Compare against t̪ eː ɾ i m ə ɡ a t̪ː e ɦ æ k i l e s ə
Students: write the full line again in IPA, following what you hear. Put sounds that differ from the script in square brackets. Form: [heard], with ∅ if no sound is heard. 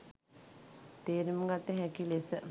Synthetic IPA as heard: t̪ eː ɾ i m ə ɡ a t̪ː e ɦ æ k i l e s ə